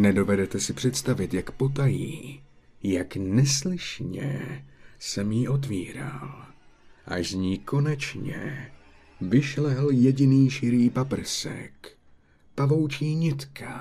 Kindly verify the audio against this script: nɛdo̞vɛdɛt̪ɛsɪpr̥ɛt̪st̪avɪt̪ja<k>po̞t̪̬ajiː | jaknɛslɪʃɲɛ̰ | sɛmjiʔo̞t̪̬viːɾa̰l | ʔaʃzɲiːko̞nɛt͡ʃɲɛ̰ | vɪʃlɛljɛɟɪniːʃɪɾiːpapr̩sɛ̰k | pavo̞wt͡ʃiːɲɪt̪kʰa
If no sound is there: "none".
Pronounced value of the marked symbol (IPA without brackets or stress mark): k